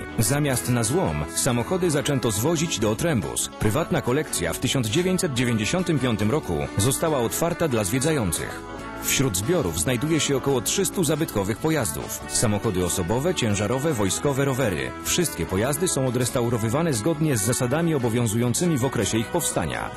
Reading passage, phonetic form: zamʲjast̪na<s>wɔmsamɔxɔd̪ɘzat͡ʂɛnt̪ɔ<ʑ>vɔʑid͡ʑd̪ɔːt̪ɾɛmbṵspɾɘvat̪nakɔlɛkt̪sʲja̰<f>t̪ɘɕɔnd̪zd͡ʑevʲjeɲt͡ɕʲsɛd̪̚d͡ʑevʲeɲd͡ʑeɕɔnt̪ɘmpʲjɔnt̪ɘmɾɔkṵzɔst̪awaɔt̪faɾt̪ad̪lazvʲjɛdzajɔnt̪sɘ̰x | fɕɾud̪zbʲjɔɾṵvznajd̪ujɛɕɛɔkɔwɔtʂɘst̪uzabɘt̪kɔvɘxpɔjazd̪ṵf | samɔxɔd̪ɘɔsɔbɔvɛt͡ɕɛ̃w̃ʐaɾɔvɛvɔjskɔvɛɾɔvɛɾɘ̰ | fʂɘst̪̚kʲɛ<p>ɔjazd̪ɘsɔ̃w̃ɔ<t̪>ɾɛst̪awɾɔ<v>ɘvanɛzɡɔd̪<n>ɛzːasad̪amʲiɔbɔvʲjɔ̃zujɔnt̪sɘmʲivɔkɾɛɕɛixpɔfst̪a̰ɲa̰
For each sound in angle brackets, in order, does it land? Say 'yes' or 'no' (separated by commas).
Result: no, no, yes, yes, no, yes, no